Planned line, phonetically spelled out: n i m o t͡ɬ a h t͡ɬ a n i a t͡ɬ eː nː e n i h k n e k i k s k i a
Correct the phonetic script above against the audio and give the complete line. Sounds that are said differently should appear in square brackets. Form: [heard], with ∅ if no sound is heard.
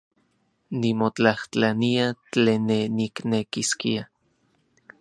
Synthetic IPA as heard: n i m o t͡ɬ a h t͡ɬ a n i a t͡ɬ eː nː e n i [∅] k n e k i [∅] s k i a